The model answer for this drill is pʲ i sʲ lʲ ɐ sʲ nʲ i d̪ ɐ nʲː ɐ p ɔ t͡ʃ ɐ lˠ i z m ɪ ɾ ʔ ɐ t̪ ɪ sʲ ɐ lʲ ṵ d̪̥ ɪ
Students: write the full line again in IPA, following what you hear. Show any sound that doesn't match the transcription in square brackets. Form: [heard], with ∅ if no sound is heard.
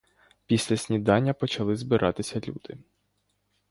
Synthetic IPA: pʲ i sʲ lʲ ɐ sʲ nʲ i d̪ [ɑ] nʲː ɐ p ɔ t͡ʃ ɐ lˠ [ɪ] z [b] ɪ ɾ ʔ [ɑ] t̪ ɪ sʲ ɐ lʲ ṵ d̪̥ ɪ